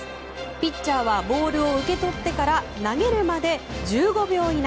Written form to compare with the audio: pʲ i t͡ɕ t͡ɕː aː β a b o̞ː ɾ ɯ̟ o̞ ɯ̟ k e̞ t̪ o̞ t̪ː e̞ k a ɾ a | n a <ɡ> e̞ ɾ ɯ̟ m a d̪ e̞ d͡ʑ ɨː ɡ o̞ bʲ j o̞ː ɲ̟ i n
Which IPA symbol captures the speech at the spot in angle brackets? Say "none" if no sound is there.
ɡ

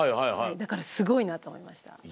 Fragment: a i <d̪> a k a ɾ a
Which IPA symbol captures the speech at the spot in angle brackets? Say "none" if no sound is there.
d̪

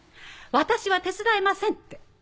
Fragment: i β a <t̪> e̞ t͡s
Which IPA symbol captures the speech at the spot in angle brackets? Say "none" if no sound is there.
t̪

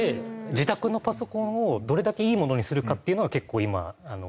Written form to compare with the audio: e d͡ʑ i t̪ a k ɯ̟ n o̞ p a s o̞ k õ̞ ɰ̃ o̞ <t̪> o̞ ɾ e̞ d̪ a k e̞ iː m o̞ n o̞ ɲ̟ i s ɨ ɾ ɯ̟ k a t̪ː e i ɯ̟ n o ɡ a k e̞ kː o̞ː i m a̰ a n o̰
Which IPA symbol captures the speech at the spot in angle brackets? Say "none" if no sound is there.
d̪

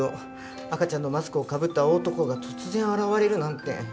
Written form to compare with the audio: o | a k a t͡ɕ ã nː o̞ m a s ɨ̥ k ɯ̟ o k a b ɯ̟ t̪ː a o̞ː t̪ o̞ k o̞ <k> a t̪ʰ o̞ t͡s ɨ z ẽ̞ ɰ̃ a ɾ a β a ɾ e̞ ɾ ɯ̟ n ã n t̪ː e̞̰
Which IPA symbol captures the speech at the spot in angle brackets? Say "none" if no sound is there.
ɡ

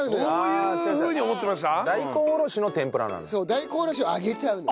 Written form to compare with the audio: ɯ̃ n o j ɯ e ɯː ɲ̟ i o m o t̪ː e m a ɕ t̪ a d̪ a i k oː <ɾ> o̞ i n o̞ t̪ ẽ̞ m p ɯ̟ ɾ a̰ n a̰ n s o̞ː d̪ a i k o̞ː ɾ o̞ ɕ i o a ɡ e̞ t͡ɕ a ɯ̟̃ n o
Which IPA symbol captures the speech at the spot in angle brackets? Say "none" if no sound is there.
ɾ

